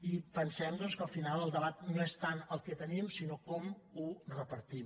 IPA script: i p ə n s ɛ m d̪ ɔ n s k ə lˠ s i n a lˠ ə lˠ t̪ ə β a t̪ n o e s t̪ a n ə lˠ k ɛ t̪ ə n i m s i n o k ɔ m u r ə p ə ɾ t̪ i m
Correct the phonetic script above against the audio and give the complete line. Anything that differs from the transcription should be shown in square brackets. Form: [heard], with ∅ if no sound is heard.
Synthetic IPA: i p ə n s ɛ m d̪ ɔ n s k ə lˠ [f] i n a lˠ ə lˠ [d̪] ə β a t̪ n o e s t̪ a n ə lˠ k ɛ t̪ ə n i m s i n o k ɔ m u r ə p ə ɾ t̪ i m